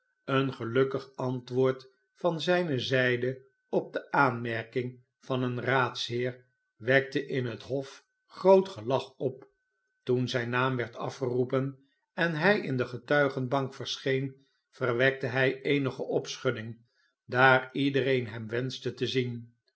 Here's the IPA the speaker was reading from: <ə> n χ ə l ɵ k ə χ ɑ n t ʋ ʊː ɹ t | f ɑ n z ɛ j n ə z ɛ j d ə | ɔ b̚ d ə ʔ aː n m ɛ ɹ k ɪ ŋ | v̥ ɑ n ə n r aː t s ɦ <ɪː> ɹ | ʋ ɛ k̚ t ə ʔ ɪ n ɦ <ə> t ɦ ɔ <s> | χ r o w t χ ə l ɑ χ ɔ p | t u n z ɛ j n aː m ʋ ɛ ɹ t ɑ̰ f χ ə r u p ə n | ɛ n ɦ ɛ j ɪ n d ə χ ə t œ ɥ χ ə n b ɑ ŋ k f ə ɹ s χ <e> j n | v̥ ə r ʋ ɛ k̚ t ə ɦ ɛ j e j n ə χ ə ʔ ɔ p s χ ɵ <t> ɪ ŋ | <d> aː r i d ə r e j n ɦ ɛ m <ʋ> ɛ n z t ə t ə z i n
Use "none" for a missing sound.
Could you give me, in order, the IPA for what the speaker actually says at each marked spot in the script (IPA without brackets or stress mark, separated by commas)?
ə, ɪː, ə, f, e, d, d, ʋ